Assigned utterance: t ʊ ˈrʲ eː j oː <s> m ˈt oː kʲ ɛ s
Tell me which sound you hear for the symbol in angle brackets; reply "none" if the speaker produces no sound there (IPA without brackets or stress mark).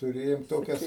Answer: none